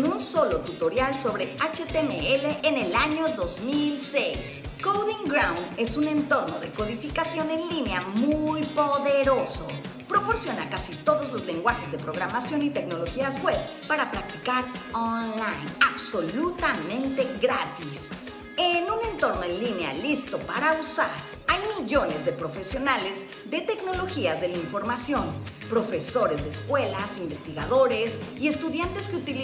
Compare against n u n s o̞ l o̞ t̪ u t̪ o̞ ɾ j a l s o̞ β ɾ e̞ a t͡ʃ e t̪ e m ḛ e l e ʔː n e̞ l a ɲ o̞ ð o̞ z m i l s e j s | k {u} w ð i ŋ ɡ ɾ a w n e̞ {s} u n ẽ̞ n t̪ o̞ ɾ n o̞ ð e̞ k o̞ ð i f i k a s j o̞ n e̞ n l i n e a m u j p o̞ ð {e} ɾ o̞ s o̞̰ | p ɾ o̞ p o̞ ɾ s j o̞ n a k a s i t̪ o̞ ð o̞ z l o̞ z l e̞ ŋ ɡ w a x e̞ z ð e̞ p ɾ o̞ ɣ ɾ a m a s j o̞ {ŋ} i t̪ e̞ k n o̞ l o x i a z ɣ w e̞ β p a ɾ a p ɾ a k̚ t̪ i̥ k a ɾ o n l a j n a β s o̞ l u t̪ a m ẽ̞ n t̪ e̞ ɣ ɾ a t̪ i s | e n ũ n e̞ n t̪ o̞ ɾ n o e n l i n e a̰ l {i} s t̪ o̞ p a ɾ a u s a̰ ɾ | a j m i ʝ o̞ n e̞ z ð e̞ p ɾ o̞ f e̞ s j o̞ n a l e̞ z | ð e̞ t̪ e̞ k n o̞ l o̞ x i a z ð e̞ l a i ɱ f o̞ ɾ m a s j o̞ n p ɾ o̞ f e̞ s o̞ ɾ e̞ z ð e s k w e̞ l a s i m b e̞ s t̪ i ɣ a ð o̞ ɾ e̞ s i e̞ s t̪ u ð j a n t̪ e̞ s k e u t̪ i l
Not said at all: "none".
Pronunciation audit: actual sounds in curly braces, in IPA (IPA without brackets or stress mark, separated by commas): o, s, e, n, i